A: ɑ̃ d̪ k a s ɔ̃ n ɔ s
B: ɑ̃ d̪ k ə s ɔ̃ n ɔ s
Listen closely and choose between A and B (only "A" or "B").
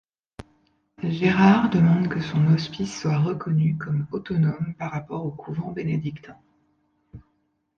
B